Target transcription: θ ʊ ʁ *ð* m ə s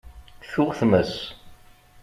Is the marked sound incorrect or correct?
incorrect: θ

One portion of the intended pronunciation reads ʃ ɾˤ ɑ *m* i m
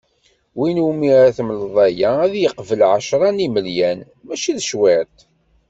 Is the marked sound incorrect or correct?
incorrect: n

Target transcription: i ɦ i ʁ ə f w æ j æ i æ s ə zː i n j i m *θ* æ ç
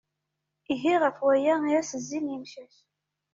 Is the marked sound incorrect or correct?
incorrect: ʃ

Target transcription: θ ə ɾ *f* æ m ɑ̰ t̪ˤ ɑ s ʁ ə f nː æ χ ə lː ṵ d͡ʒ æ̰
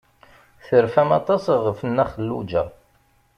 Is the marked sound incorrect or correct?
correct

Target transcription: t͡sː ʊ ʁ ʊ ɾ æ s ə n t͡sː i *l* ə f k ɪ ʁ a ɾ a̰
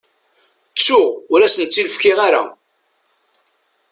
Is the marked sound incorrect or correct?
correct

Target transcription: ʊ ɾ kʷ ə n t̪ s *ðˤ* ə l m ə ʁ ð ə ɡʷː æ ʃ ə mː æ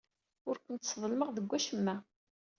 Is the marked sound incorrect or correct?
correct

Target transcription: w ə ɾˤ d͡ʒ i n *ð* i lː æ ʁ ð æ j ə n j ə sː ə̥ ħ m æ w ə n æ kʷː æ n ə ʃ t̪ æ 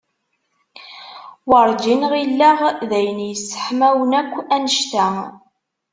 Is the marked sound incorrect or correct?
incorrect: ʁ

